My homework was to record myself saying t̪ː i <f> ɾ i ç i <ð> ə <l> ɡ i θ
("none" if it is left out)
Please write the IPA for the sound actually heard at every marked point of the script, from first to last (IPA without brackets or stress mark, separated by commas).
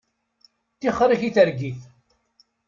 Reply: χ, θ, ɾ